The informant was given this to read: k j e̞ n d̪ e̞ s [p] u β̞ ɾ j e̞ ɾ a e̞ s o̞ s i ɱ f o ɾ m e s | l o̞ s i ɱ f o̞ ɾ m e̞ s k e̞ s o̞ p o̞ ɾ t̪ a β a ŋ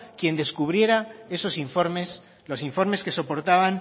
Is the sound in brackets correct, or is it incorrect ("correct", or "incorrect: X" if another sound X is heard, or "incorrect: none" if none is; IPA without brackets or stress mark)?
incorrect: k